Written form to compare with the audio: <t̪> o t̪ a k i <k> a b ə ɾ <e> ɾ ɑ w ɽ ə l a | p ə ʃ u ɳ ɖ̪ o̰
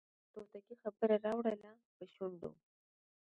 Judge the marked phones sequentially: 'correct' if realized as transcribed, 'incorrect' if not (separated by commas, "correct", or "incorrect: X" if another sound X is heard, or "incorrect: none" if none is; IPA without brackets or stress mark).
correct, incorrect: x, incorrect: a